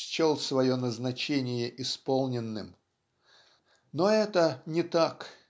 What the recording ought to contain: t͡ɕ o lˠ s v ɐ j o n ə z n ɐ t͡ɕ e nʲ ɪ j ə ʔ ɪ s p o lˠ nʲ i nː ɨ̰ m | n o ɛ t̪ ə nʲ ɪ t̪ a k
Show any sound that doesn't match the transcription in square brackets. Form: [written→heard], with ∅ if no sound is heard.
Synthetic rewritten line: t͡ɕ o lˠ s v ɐ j o n ə z n ɐ t͡ɕ e nʲ ɪ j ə ʔ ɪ s p o lˠ nʲ [i→ɪ] nː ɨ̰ m | n o ɛ t̪ ə nʲ ɪ t̪ a k